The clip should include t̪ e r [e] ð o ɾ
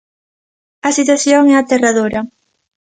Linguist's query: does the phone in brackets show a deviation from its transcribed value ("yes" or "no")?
yes